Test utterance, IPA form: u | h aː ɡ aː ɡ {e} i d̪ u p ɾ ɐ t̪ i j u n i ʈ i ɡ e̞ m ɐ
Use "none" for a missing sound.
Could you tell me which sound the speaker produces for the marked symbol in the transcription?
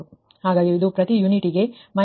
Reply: i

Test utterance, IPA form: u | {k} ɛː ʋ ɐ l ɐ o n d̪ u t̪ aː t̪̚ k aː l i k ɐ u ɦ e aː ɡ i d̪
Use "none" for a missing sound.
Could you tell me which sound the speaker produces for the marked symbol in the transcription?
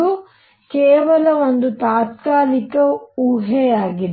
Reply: k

